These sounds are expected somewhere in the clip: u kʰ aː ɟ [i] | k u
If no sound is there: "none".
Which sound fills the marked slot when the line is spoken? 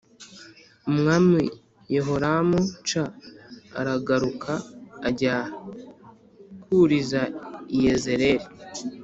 a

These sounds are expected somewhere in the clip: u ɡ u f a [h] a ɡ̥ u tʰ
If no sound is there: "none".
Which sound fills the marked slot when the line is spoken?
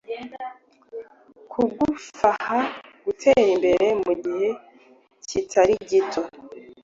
h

